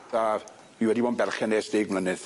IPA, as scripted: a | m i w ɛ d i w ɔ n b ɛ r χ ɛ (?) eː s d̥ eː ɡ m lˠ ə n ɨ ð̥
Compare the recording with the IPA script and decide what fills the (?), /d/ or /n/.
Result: n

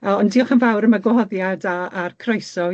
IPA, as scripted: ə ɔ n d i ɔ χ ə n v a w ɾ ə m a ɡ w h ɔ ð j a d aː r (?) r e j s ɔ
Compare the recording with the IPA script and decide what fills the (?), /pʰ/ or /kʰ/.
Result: kʰ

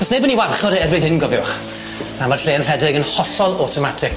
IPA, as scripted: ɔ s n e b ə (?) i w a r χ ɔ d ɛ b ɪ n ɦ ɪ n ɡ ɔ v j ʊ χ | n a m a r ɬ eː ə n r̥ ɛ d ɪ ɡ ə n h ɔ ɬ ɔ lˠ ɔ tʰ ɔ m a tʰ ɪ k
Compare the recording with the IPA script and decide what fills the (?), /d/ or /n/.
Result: n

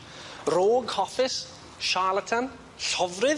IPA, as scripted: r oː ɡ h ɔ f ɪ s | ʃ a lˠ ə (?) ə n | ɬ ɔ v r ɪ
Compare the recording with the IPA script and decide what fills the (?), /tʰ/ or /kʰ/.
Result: tʰ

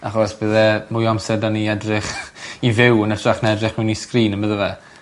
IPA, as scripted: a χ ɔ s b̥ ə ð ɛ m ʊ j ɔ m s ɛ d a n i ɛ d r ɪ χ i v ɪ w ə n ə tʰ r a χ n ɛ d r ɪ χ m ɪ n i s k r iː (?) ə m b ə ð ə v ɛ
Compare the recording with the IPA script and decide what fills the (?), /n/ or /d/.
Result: n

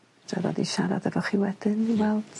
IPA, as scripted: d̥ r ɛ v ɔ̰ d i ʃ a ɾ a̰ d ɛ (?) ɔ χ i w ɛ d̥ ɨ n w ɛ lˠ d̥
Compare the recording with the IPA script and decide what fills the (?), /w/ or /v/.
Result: v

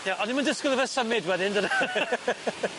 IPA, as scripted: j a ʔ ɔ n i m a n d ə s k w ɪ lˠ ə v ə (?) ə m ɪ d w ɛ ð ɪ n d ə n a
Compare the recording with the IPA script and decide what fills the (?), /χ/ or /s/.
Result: s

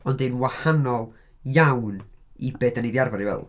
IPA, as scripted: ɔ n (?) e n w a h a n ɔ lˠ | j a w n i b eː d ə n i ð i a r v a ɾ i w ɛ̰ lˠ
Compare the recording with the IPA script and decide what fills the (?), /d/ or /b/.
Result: d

